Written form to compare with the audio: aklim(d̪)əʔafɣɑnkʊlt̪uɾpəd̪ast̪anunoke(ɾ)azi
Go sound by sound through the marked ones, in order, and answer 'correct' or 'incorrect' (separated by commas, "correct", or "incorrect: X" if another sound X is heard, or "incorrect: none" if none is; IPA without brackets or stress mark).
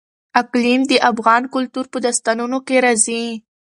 correct, correct